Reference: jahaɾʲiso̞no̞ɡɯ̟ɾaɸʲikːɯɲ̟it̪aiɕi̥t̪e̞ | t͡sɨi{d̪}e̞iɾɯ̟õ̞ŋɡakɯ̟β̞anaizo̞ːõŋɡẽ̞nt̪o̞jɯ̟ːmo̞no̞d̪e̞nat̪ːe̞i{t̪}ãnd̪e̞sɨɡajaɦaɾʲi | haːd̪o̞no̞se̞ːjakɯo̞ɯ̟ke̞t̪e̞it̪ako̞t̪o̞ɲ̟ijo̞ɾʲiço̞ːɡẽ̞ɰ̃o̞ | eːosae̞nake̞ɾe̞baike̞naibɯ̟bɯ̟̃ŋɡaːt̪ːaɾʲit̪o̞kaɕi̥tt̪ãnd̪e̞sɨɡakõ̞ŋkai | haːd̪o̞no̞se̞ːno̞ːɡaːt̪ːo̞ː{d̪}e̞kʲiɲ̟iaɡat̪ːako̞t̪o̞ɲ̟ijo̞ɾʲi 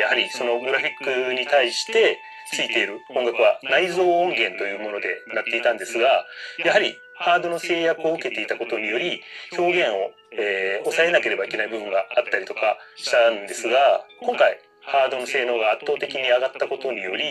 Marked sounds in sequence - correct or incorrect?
incorrect: t̪, correct, incorrect: t̪

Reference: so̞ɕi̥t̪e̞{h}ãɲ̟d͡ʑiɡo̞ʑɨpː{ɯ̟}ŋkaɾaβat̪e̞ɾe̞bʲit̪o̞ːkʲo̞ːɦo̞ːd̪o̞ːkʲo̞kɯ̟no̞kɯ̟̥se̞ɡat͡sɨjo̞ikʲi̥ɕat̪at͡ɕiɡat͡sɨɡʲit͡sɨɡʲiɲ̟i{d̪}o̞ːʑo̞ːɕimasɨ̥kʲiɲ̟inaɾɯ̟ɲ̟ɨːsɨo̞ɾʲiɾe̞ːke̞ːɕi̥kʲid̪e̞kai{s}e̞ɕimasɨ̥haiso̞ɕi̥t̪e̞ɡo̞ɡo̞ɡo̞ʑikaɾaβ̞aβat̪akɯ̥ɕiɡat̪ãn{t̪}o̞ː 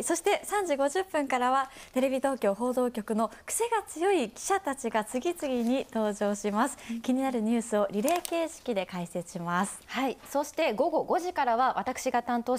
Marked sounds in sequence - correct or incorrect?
incorrect: s, incorrect: ɯ̟̃, incorrect: t̪, correct, correct

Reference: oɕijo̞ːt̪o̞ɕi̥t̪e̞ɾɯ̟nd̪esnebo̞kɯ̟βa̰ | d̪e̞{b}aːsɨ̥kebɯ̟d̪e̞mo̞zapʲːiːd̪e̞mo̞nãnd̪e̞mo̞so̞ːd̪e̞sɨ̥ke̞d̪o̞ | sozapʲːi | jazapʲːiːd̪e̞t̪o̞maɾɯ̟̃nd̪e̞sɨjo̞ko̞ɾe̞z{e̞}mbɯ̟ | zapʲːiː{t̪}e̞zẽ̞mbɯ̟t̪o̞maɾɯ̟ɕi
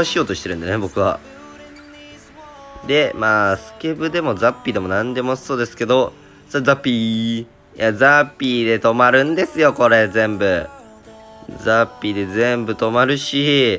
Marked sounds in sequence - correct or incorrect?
incorrect: m, incorrect: ẽ̞, incorrect: d̪

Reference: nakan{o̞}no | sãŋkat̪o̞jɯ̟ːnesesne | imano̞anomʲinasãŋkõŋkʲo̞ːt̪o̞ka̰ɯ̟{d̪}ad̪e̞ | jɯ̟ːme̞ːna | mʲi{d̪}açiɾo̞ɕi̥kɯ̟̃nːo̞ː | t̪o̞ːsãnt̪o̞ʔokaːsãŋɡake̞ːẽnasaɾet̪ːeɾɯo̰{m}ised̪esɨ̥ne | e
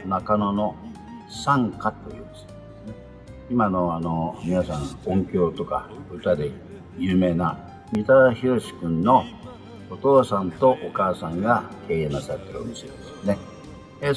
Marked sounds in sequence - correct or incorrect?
correct, incorrect: t̪, incorrect: t̪, correct

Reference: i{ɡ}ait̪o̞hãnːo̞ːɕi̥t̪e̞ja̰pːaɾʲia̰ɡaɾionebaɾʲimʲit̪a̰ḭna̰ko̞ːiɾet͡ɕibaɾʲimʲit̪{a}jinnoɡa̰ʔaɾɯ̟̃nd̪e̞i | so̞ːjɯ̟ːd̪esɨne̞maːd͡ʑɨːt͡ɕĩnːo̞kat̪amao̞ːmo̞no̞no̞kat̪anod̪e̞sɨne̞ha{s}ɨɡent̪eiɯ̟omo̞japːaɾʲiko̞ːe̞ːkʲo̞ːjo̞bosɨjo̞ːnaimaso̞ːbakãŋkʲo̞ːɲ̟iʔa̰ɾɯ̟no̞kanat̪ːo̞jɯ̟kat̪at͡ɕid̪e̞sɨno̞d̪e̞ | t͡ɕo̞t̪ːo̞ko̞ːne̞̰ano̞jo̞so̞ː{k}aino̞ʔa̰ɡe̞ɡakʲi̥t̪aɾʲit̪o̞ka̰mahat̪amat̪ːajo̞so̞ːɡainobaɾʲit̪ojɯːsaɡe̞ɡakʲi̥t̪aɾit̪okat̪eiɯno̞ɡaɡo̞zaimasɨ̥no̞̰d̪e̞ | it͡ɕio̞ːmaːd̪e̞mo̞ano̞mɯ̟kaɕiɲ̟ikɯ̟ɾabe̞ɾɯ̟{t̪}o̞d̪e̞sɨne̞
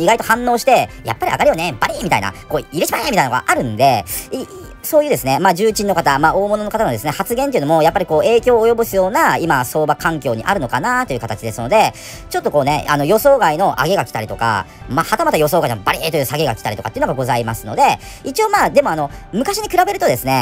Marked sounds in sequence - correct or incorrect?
correct, correct, incorrect: t͡s, incorrect: ɡ, correct

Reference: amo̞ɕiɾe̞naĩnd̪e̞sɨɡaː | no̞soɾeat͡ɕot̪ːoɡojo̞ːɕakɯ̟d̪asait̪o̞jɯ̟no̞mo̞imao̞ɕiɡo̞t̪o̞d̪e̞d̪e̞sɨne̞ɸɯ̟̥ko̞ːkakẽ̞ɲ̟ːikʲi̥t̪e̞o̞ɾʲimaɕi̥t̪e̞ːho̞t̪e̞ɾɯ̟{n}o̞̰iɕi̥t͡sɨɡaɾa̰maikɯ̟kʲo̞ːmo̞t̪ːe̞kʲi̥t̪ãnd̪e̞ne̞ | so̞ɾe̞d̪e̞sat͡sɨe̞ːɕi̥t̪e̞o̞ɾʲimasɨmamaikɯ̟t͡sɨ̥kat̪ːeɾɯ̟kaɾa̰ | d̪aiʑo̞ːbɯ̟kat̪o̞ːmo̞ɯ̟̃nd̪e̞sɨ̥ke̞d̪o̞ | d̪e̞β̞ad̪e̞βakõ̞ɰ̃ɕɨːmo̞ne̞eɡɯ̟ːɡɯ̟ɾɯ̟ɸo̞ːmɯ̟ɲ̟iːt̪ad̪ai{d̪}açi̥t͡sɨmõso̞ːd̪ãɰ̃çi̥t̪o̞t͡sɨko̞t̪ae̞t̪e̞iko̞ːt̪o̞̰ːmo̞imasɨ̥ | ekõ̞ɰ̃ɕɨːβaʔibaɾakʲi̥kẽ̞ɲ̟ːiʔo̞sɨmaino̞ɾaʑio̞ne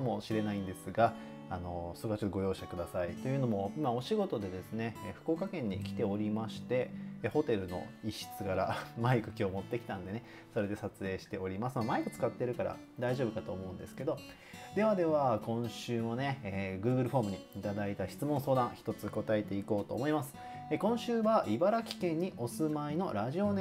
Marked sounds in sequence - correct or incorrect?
correct, incorrect: t̪

